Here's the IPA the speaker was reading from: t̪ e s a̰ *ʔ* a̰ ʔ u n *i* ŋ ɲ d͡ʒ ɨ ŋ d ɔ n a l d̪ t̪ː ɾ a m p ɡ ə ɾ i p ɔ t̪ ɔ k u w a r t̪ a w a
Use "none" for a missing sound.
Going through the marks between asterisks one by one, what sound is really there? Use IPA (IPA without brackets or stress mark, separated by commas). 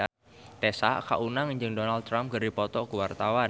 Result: k, a